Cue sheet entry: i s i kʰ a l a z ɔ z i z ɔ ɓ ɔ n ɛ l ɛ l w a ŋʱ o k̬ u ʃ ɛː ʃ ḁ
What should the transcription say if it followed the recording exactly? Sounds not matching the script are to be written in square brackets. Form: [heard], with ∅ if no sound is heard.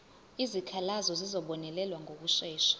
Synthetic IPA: i [z] i kʰ a l a z ɔ z i z ɔ ɓ ɔ n ɛ l ɛ l w a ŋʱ o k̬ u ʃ ɛː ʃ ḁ

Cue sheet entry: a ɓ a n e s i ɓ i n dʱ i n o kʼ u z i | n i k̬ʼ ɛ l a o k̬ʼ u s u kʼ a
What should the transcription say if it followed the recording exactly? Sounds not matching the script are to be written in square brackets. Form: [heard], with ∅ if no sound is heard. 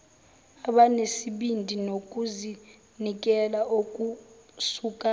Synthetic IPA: a ɓ a n e s i ɓ i n dʱ i n o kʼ u z i | n i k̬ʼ ɛ l a o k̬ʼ u s u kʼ a

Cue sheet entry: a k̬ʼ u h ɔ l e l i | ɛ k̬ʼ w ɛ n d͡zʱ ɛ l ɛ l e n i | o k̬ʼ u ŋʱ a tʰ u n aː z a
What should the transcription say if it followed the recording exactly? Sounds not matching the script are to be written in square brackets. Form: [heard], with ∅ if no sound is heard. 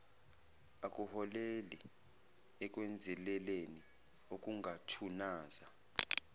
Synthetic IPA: a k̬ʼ u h ɔ l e l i | ɛ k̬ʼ w ɛ n d͡zʱ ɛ l ɛ l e n i | o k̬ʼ u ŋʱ a tʰ u n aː z a

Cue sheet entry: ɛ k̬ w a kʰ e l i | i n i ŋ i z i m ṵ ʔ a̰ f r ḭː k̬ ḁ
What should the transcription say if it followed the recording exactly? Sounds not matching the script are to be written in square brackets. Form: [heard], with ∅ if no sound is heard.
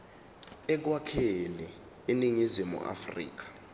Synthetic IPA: ɛ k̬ w a kʰ e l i | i n i ŋ i z i m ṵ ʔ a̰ f r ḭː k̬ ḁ

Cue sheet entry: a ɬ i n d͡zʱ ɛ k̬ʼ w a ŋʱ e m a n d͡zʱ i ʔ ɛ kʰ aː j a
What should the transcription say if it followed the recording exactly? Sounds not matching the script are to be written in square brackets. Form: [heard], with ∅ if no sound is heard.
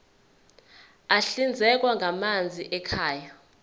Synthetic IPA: a ɬ i n d͡zʱ ɛ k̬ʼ w a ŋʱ [a] m a n d͡zʱ i ʔ ɛ kʰ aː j a

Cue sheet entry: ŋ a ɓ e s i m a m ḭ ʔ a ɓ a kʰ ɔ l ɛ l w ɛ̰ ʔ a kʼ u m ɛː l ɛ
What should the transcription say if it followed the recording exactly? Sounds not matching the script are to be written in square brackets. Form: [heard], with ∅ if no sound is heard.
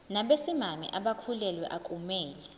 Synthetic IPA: [n] a ɓ e s i m a m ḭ ʔ a ɓ a kʰ [u] l ɛ l w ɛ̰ ʔ a kʼ u m ɛː l ɛ

